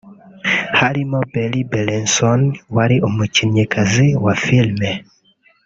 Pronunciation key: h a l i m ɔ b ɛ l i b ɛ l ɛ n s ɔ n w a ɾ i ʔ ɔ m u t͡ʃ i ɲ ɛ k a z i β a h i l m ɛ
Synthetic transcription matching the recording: h a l i m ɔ b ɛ l i b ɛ l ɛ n s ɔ n w a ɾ i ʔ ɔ m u t͡ʃ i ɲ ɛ k a z i w a f i l m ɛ